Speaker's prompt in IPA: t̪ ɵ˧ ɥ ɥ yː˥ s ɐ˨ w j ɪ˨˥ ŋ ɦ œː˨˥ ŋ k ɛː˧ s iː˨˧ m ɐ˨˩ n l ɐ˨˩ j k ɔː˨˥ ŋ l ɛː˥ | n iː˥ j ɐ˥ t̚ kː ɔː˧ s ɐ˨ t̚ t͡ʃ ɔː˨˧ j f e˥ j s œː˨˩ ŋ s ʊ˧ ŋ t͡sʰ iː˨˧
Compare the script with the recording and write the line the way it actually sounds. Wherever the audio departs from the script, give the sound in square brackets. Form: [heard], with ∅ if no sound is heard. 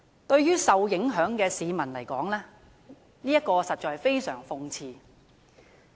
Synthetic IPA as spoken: t̪ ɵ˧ ɥ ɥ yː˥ s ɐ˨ w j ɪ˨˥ ŋ ɦ œː˨˥ ŋ k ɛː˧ s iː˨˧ m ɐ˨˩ n l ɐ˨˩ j k ɔː˨˥ ŋ l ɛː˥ | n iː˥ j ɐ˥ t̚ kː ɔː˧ s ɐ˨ t̚ t͡ʃ ɔː˨˧ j f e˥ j s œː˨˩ ŋ [f] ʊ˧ ŋ t͡sʰ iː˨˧

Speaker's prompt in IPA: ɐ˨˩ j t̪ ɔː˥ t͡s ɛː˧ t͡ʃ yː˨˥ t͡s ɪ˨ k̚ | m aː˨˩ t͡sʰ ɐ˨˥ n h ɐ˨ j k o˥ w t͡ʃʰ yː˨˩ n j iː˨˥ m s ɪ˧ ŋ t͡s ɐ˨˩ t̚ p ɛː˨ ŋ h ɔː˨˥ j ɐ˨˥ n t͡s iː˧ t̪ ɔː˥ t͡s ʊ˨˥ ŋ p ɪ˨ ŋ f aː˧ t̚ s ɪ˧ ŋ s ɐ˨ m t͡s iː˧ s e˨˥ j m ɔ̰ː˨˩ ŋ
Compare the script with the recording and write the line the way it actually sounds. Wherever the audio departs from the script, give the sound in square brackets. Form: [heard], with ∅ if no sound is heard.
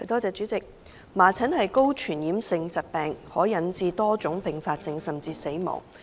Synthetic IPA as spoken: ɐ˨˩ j t̪ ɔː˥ t͡s ɛː˧ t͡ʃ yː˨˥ t͡s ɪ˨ k̚ | m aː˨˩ t͡sʰ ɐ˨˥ n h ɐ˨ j k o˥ w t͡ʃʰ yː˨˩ n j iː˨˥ m s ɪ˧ ŋ t͡s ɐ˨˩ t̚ p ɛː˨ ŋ h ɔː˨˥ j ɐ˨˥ n t͡s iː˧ t̪ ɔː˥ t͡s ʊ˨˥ ŋ p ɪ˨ ŋ f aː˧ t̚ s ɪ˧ ŋ s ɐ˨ m t͡s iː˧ s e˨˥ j m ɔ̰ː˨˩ ŋ

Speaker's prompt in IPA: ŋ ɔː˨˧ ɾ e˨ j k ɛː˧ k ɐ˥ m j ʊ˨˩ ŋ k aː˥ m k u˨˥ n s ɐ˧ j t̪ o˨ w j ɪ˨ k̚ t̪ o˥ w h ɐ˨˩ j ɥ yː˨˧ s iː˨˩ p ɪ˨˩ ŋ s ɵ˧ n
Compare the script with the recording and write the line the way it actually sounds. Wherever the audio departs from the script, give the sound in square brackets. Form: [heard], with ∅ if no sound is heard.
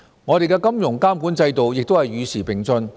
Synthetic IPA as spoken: ŋ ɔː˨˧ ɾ e˨ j k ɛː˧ k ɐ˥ m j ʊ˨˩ ŋ k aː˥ m k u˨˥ n [t͡s] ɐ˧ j t̪ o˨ w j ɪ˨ k̚ t̪ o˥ w h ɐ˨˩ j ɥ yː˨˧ s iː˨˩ p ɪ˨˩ ŋ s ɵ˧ n

